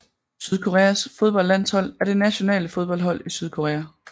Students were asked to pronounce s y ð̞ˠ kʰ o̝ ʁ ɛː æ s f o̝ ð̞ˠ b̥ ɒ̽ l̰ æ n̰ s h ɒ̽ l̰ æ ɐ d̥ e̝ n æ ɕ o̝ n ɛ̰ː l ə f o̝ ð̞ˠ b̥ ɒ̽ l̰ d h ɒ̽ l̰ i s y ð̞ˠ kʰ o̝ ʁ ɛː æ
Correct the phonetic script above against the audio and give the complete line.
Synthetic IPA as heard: s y ð̞ˠ kʰ o̝ ʁ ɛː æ s f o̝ ð̞ˠ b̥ ɒ̽ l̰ æ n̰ s h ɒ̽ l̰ æ ɐ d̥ e̝ n æ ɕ o̝ n ɛ̰ː l ə f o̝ ð̞ˠ b̥ ɒ̽ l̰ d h ɒ̽ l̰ i s y ð̞ˠ kʰ o̝ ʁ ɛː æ